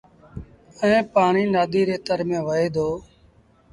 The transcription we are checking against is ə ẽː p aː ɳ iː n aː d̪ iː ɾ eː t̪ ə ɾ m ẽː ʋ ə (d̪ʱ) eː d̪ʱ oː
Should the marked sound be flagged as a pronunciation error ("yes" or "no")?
yes